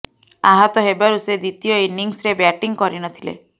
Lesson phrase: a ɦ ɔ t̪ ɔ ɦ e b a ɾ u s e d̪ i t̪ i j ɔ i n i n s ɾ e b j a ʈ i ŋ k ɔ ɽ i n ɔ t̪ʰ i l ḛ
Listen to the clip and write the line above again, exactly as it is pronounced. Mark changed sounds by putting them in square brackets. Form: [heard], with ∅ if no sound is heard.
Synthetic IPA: a ɦ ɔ t̪ ɔ ɦ e b a ɾ u s e d̪ i t̪ i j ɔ i n i [ŋ] s ɾ e b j a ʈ i ŋ k ɔ [ɾ] i n ɔ t̪ʰ i l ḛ